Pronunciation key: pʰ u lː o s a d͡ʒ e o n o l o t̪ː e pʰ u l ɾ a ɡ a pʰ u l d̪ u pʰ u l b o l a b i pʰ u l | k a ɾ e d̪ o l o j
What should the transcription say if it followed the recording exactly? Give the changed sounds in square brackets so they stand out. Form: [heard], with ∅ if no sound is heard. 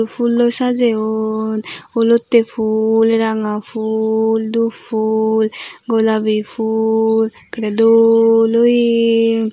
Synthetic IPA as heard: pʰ u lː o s a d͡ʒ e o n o l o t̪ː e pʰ u l ɾ a [ŋ] a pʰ u l d̪ u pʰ u l [ɡ] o l a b i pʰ u l | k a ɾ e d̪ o l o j